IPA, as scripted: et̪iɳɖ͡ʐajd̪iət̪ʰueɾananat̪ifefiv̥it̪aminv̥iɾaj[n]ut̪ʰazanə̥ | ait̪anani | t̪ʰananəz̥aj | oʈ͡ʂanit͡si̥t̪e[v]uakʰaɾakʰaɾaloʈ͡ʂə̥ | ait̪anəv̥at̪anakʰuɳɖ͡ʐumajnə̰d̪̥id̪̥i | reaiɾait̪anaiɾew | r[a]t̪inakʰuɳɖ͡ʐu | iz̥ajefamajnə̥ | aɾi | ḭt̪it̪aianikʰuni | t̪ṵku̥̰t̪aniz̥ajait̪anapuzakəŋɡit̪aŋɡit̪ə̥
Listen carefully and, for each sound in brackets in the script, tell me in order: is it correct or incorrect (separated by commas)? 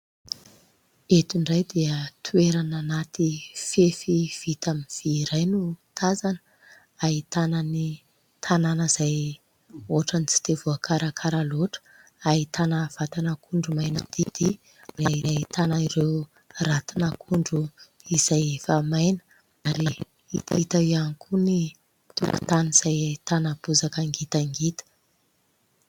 correct, correct, correct